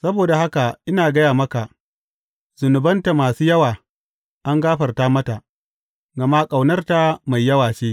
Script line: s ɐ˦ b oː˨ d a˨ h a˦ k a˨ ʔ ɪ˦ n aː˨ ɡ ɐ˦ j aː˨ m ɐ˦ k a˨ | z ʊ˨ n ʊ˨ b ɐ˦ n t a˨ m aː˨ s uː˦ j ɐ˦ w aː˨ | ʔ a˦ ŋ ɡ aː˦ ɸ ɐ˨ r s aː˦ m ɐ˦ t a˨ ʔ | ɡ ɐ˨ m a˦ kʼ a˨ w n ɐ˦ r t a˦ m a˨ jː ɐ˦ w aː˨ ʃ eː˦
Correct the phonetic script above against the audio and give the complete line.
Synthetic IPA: s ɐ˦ b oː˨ d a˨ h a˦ k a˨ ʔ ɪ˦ n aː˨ ɡ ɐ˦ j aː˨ m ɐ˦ k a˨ | z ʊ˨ n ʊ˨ b ɐ˦ n t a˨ m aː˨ s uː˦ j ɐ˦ w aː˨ | ʔ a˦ ŋ ɡ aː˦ ɸ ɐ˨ r t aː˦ m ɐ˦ t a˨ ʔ | ɡ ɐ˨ m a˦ kʼ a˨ w n ɐ˦ r t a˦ m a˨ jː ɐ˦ w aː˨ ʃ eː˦